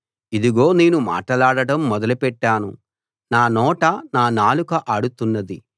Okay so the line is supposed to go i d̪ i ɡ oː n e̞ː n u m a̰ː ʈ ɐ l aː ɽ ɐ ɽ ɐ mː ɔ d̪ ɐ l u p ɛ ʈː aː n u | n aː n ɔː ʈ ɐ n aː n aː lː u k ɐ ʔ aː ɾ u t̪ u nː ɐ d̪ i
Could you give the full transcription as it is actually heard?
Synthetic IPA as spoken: i d̪ i ɡ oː n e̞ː n u m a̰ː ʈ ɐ l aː ɽ ɐ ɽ ɐ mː ɔ d̪ ɐ l u p ɛ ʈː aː n u | n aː n ɔː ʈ ɐ n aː n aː l u k ɐ ʔ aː ɽ u t̪ u nː ɐ d̪ i